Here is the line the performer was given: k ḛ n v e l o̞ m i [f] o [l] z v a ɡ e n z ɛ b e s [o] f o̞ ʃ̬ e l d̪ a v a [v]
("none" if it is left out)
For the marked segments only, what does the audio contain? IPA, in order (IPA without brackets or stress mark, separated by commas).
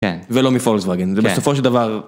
f, l, o, ʁ